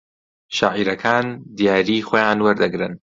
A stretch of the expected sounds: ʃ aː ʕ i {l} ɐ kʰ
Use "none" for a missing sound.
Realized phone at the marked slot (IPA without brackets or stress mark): ɾ